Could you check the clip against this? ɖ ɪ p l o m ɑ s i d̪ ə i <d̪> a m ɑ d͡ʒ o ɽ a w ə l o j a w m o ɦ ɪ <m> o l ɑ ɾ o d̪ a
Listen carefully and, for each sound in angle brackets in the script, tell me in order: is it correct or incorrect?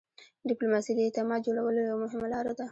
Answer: incorrect: t̪, correct

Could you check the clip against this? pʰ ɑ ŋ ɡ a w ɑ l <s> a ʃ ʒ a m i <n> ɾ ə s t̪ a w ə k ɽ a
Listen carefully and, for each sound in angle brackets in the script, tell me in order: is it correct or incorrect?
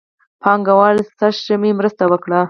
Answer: correct, incorrect: m

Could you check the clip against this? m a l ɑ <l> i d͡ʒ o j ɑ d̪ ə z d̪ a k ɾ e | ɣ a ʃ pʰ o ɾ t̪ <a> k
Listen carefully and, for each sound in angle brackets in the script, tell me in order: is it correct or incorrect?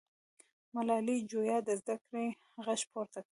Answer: correct, correct

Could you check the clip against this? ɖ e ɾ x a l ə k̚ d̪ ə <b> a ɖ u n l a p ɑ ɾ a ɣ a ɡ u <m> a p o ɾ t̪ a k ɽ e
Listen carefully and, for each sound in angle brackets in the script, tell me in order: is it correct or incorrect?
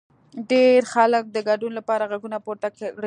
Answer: incorrect: ɡ, incorrect: n

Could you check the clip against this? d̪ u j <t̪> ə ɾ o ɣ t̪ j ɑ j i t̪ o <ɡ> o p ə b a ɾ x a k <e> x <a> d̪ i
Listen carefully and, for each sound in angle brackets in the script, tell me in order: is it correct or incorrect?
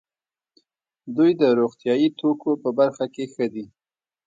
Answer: incorrect: d̪, incorrect: k, correct, incorrect: ə

